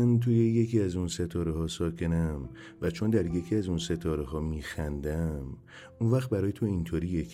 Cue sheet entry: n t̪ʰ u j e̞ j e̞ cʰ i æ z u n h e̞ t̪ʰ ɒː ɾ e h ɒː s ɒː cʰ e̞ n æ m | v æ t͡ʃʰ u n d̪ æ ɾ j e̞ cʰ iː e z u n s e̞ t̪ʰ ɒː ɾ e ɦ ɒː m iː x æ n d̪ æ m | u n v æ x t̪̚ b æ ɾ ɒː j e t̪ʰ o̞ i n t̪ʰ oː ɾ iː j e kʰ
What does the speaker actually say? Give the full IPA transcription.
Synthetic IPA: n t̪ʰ u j e̞ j e̞ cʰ i æ z u n s e̞ t̪ʰ ɒː ɾ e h ɒː s ɒː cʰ e̞ n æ m | v æ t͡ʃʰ o n d̪ æ ɾ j e̞ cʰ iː æ z u n s e̞ t̪ʰ ɒː ɾ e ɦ ɒː m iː x æ n d̪ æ m | u n v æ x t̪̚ b æ ɾ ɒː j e t̪ʰ o̞ i n t̪ʰ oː ɾ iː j e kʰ